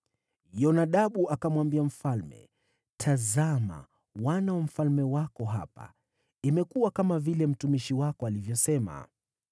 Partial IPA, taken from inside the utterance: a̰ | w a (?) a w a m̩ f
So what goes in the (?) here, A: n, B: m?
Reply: A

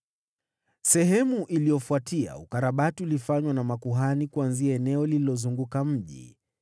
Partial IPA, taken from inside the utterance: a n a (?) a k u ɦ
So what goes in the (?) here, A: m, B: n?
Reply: A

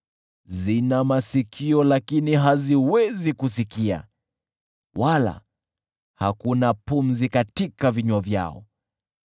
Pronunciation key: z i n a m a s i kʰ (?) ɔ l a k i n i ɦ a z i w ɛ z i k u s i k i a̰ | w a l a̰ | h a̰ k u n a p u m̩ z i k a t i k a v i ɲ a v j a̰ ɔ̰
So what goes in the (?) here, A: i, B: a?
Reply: A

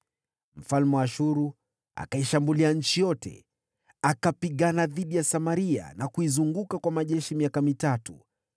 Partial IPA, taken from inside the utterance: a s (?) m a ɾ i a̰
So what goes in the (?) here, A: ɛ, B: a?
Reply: B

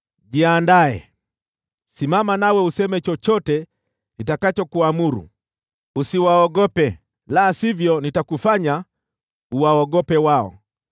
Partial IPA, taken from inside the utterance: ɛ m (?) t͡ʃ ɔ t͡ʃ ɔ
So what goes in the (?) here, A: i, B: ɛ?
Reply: B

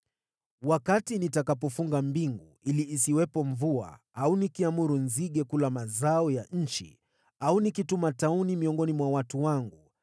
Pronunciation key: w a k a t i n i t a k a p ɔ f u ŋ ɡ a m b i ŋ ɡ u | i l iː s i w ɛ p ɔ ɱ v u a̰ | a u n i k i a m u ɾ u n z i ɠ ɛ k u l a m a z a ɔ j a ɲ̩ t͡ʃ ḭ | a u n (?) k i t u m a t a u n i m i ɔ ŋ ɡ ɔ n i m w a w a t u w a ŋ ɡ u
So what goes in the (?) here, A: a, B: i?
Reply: B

